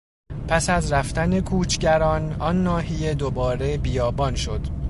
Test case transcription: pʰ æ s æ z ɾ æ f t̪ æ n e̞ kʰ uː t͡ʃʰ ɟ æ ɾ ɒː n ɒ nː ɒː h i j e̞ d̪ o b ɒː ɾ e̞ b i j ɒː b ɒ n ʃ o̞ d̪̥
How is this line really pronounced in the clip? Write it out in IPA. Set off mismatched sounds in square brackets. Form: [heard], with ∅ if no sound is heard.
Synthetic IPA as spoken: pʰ æ s æ z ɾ æ f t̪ æ n e̞ kʰ uː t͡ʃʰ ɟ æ ɾ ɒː n ɒ nː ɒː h i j e̞ d̪ o b ɒː ɾ e̞ b i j ɒː b ɒ n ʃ o̞ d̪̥